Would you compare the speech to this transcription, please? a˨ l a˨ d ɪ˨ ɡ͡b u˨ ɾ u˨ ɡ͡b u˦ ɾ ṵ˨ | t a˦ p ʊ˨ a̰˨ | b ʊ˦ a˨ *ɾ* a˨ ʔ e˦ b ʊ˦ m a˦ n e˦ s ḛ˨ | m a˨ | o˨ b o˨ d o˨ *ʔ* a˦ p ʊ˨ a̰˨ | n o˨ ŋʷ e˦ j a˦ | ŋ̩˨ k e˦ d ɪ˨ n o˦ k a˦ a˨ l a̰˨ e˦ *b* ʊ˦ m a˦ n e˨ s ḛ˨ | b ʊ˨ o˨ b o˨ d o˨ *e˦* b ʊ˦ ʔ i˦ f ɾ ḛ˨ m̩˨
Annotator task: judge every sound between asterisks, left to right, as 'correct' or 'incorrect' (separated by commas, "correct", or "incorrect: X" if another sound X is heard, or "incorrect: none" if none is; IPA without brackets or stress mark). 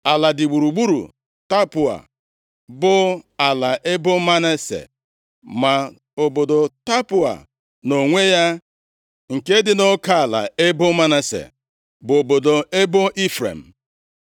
incorrect: l, incorrect: t, correct, correct